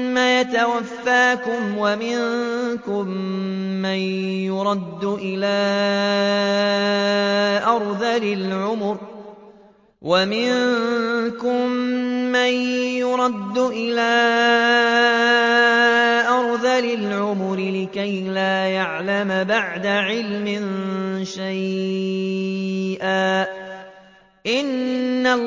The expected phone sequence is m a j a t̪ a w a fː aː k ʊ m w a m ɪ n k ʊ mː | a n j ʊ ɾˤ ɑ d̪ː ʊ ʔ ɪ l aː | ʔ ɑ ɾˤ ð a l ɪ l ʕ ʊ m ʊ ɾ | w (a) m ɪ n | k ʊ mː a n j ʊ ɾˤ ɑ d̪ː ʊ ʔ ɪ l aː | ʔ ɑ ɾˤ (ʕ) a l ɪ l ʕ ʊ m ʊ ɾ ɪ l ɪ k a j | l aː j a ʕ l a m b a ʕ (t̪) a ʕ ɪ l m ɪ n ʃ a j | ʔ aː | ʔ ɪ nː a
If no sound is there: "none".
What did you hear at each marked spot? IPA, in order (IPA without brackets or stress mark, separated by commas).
a, ð, d̪